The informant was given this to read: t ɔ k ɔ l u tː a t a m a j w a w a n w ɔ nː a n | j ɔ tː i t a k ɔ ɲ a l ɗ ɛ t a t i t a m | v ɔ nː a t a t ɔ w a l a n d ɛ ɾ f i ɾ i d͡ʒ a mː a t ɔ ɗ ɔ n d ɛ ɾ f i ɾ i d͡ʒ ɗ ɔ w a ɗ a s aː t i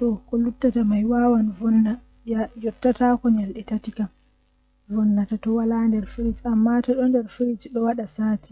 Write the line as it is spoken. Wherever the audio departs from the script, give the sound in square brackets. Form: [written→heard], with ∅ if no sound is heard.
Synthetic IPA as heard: t ɔ k ɔ l u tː a t a m a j w a w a n [w→v] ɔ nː a [n→∅] | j ɔ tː [i→a] t a k ɔ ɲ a l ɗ ɛ t a t i [t→k] a m | v ɔ nː a t a t ɔ w a l a n d ɛ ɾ f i ɾ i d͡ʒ a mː a t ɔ ɗ ɔ n d ɛ ɾ f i ɾ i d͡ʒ ɗ ɔ w a ɗ a s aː t i